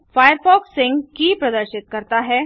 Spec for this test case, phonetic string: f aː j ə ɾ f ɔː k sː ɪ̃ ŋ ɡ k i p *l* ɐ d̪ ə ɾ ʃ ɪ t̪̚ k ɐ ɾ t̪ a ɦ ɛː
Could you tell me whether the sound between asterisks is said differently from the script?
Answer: yes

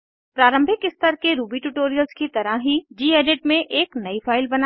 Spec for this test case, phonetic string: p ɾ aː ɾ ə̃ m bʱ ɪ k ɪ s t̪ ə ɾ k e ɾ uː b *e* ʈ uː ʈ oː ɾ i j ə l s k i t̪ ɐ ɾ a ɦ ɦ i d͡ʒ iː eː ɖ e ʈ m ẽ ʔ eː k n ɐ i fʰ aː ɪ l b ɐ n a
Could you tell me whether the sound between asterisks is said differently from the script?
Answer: yes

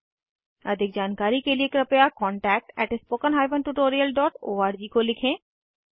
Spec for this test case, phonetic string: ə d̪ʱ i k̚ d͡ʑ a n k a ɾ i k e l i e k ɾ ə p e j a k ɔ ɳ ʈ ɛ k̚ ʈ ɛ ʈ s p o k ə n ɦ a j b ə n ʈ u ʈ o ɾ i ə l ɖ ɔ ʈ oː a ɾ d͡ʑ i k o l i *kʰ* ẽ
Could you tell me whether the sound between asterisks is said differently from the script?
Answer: no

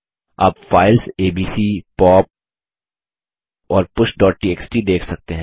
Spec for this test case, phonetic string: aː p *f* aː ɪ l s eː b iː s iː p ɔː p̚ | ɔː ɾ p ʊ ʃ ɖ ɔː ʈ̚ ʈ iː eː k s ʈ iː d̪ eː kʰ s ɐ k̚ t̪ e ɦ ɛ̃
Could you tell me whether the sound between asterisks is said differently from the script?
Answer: no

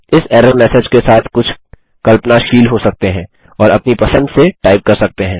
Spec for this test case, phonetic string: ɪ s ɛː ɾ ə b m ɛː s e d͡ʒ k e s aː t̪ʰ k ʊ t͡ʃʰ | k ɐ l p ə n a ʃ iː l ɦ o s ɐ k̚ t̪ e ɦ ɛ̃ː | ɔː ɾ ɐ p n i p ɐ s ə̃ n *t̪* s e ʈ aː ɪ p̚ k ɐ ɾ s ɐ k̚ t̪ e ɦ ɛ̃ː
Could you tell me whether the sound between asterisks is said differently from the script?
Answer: yes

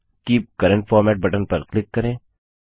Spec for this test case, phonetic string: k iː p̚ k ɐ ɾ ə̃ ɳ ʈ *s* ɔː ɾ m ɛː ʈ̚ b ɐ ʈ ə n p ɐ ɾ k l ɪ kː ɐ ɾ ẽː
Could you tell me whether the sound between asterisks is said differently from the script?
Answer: yes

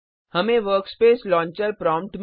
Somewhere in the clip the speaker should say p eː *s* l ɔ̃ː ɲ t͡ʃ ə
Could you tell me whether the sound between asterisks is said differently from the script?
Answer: no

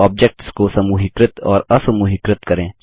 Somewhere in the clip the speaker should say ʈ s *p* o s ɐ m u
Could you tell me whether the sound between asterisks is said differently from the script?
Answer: yes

